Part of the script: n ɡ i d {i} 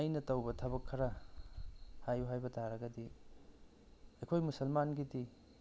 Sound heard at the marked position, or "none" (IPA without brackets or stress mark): i